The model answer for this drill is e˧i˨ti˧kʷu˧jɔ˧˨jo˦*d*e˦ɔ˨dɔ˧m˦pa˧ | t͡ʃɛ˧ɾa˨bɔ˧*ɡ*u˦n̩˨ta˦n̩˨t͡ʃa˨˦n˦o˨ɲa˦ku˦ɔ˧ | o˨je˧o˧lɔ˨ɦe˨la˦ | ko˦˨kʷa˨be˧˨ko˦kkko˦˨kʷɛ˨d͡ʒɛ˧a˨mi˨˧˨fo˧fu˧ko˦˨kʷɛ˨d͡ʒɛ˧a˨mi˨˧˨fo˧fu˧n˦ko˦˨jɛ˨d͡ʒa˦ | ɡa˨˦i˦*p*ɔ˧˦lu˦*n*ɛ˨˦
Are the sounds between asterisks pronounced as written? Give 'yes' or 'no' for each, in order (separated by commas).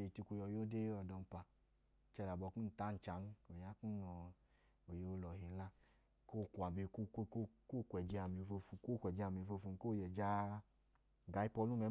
yes, no, yes, no